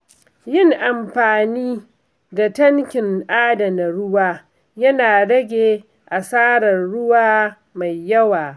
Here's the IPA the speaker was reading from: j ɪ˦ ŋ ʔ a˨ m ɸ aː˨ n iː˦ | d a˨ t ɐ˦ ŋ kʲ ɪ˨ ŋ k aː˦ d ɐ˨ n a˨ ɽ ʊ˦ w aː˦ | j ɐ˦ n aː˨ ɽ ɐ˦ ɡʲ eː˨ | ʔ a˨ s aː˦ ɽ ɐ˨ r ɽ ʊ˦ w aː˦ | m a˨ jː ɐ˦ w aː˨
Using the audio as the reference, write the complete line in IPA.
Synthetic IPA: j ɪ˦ ŋ ʔ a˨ m ɸ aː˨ n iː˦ | d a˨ t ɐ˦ ŋ kʲ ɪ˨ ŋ ʔ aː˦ d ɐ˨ n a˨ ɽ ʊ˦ w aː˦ | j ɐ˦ n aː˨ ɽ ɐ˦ ɡʲ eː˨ | ʔ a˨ s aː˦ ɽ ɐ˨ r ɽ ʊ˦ w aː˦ | m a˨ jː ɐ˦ w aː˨